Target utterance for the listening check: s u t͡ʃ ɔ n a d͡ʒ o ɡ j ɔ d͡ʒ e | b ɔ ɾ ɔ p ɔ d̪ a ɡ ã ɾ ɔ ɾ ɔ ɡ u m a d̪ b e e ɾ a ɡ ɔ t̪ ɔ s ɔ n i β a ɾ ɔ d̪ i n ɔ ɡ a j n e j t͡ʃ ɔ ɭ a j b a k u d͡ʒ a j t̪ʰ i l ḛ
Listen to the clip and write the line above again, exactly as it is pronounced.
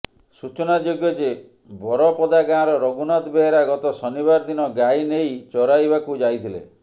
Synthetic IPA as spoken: s u t͡ʃ ɔ n a d͡ʒ o ɡ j ɔ d͡ʒ e | b ɔ ɾ ɔ p ɔ d̪ a ɡ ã ɾ ɔ ɾ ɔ ɡ u n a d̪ b e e ɾ a ɡ ɔ t̪ ɔ s ɔ n i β a ɾ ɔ d̪ i n ɔ ɡ a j n e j t͡ʃ ɔ ɾ a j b a k u d͡ʒ a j t̪ʰ i l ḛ